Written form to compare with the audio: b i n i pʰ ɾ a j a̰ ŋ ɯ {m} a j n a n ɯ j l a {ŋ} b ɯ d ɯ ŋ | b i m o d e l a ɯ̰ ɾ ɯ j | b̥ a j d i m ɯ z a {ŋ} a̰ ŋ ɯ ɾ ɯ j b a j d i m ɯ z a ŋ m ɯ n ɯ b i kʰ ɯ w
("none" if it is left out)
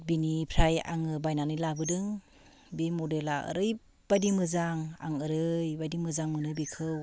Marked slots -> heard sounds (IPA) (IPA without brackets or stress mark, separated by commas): b, none, ŋ